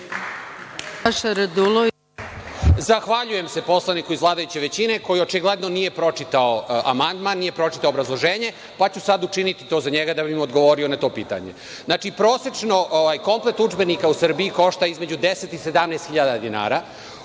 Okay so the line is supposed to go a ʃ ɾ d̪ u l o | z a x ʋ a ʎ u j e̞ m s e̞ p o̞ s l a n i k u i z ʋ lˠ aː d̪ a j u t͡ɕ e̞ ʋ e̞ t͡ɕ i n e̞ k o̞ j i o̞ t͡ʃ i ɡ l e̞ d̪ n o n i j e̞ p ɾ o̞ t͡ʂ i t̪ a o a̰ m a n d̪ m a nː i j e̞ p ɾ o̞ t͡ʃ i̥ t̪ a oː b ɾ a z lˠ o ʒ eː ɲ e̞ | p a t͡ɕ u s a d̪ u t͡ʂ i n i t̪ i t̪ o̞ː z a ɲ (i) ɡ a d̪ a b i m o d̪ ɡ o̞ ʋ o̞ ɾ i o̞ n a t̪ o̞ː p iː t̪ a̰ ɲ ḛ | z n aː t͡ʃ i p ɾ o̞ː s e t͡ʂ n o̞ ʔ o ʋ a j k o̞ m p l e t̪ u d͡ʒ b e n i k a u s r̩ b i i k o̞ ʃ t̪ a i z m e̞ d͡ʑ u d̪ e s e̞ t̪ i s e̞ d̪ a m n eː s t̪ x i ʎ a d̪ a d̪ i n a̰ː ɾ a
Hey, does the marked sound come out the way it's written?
no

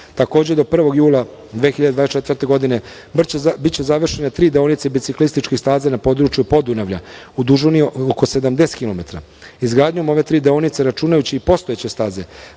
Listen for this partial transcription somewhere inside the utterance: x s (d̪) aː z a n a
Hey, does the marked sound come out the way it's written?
no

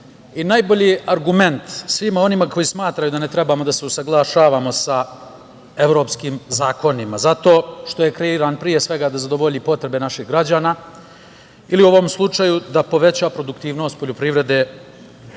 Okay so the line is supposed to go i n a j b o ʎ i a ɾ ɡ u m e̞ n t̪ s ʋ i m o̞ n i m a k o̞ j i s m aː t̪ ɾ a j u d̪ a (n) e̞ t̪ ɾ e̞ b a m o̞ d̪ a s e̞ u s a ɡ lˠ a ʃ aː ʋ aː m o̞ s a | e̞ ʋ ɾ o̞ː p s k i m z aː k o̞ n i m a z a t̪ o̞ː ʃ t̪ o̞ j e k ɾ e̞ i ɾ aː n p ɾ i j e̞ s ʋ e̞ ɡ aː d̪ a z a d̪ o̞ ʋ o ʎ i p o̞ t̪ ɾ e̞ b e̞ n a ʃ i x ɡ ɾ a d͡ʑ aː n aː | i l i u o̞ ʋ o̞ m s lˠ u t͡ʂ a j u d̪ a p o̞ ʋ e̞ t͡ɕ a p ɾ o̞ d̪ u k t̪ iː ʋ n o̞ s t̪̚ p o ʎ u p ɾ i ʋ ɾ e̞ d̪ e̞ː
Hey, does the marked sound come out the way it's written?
yes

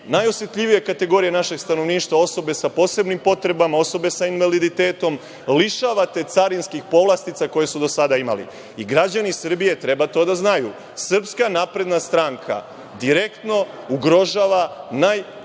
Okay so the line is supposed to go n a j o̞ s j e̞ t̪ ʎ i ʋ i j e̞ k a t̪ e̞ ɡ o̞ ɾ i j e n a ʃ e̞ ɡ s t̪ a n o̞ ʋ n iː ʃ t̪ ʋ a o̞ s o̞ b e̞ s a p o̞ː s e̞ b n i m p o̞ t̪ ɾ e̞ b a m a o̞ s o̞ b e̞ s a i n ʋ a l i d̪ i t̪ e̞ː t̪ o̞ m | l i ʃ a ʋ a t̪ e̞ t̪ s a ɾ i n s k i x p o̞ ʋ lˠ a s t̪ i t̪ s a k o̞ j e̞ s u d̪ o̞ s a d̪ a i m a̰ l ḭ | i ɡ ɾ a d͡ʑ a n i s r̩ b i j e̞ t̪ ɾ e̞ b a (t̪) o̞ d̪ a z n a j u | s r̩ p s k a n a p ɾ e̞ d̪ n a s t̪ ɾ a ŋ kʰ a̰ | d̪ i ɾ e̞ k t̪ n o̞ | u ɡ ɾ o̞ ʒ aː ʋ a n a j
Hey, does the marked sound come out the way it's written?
yes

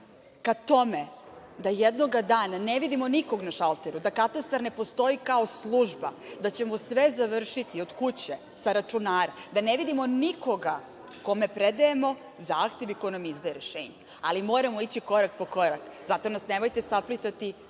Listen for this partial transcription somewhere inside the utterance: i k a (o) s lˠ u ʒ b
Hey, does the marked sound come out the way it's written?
yes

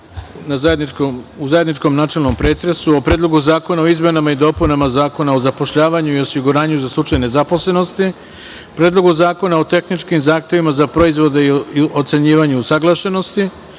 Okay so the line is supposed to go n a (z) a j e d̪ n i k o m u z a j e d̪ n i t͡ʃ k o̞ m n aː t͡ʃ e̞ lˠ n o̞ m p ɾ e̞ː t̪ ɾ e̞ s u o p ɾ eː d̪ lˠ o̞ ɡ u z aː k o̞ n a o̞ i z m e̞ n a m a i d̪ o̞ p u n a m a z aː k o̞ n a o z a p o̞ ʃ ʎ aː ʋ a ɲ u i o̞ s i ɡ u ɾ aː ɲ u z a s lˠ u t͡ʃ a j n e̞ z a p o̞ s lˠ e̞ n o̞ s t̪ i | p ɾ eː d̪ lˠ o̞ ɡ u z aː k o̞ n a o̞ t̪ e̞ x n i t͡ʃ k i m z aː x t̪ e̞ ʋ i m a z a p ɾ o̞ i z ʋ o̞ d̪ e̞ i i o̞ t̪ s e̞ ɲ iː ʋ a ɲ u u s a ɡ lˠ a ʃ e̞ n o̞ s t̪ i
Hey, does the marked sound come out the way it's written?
yes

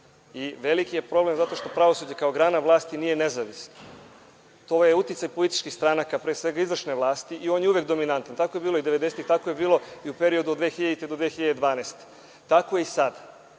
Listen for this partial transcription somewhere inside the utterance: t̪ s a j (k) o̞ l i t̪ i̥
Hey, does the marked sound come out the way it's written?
no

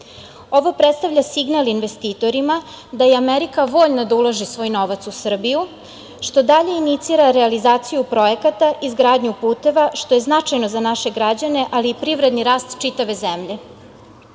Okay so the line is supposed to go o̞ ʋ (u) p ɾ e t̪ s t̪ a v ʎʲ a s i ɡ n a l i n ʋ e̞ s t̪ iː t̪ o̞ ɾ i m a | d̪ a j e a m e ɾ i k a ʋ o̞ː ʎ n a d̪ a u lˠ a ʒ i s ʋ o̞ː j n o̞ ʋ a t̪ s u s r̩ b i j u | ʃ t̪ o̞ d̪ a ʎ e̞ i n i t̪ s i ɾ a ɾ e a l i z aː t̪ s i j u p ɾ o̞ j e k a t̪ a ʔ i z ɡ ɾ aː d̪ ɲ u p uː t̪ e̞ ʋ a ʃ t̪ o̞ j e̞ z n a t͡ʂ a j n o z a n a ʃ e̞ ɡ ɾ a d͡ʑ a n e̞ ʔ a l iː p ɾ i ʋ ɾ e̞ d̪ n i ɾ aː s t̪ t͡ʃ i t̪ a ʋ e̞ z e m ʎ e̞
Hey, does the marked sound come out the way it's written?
no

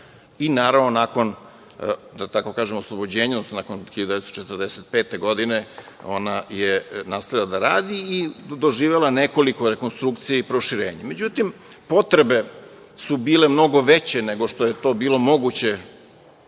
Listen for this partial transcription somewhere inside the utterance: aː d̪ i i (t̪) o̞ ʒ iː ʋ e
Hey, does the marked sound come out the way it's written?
no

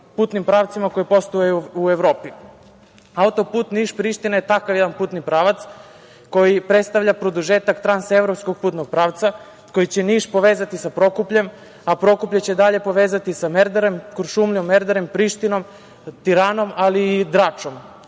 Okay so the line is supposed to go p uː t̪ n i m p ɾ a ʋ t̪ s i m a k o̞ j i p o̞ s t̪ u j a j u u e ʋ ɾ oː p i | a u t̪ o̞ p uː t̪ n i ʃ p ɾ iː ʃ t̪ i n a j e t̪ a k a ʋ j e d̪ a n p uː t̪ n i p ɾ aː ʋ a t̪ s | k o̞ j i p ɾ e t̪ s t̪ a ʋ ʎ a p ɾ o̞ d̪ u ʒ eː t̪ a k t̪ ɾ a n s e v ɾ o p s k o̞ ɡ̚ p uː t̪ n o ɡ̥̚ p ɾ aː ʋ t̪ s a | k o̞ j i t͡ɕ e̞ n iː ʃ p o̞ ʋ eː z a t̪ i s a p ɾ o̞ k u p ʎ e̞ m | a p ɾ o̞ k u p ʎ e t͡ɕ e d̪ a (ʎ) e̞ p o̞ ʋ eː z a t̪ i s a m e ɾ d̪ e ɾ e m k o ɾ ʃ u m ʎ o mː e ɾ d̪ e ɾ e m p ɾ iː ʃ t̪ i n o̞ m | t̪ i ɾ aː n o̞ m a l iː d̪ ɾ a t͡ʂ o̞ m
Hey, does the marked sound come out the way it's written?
yes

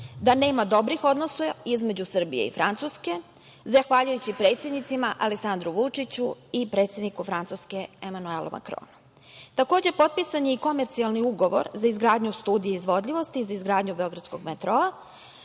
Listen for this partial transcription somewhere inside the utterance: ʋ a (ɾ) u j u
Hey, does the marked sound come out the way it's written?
no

